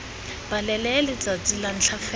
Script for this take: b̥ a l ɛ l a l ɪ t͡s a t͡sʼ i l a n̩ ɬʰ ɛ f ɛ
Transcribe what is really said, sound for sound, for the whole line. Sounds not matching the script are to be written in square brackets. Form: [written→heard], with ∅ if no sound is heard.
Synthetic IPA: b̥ a l ɛ l [a→ɛ] l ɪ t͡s a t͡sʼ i l a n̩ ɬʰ [ɛ→a] f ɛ